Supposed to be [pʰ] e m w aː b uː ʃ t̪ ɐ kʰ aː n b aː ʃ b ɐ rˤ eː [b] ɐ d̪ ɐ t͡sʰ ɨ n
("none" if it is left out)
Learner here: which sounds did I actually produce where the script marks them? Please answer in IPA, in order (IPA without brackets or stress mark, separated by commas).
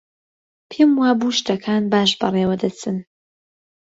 pʰ, w